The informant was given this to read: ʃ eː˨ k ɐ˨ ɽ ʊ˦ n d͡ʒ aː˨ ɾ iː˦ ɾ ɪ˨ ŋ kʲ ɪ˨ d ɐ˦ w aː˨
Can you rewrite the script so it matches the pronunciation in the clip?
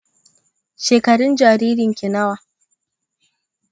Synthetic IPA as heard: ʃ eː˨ k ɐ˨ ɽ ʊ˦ n d͡ʒ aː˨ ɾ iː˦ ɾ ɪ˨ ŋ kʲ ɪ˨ n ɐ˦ w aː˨